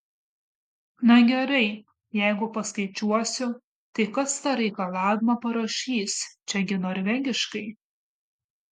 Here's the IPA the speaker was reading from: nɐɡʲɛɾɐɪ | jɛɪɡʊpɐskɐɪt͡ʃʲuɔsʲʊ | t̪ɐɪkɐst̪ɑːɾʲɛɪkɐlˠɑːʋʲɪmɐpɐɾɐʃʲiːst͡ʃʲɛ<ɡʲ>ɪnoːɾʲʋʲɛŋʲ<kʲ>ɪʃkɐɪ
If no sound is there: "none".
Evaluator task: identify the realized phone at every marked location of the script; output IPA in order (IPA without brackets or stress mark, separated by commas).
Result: ɡʲ, ɡʲ